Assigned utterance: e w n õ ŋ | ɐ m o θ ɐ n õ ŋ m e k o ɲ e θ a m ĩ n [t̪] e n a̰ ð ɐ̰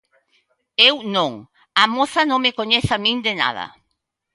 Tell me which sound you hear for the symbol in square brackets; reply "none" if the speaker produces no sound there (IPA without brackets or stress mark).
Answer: d̪